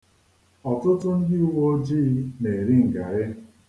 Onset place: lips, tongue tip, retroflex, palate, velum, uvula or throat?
tongue tip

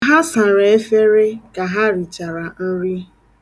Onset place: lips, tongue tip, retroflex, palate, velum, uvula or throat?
throat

